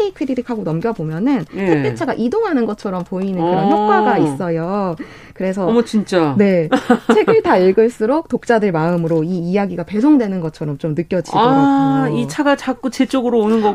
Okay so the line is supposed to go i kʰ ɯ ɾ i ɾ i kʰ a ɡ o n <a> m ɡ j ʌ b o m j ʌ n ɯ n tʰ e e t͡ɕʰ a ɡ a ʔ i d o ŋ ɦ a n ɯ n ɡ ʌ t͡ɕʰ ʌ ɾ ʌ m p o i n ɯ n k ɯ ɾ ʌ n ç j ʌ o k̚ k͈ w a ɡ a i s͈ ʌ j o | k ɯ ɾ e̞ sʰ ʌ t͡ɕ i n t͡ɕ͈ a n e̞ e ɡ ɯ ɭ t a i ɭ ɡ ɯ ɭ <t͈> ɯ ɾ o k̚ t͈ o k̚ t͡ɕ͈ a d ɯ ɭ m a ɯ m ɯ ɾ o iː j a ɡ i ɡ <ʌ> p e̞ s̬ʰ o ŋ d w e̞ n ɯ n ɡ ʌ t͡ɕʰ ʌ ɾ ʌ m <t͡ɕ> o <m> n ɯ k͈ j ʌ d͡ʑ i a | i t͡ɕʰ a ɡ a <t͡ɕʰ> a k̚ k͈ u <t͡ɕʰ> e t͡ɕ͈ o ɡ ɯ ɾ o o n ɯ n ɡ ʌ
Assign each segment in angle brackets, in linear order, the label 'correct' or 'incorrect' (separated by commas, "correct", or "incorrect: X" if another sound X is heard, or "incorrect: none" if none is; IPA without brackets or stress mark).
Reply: incorrect: ʌ, incorrect: s͈, incorrect: a, correct, correct, incorrect: t͡ɕ, incorrect: t͡ɕ